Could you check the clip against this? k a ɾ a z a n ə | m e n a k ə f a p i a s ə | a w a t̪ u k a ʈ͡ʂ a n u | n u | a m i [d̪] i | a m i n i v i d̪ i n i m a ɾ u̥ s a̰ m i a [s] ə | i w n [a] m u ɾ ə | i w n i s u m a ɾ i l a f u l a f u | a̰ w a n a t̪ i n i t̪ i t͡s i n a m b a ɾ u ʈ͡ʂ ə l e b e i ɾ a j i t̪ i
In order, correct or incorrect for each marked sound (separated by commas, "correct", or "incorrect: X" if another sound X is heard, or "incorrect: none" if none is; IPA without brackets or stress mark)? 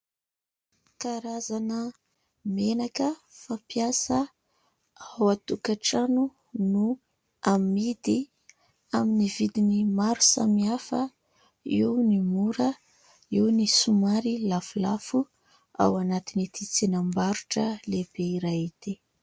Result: correct, incorrect: f, incorrect: i